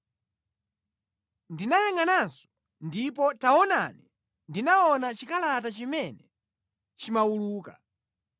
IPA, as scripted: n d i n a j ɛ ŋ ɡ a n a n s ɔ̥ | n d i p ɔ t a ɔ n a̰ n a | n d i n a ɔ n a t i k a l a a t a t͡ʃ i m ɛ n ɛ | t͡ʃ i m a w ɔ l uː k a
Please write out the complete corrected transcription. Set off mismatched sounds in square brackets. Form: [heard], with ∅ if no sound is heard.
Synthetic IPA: n d i n a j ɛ ŋ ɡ a n a n s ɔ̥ | n d i p ɔ t a ɔ n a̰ n [i] | n d i n a ɔ n a [t͡ʃ] i k a l a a t a t͡ʃ i m ɛ n ɛ | t͡ʃ i m a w [u] l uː k a